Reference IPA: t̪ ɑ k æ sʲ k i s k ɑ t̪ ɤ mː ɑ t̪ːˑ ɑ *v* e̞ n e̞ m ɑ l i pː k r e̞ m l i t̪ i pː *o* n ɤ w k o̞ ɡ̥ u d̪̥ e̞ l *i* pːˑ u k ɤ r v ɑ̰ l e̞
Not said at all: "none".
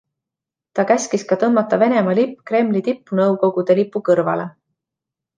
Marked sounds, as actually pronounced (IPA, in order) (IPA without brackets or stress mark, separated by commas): v, u, i